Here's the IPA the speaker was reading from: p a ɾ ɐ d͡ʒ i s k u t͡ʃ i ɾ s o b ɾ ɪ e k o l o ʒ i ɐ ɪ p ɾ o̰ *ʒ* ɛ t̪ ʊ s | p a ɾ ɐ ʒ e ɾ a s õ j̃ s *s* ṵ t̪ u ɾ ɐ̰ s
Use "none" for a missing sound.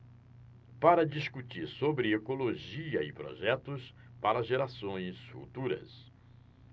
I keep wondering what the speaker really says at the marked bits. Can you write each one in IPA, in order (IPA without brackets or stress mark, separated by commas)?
ʒ, f